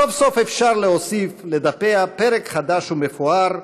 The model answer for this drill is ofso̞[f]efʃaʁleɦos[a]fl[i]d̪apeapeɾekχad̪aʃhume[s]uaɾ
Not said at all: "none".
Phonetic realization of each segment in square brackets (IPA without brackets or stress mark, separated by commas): f, i, e, f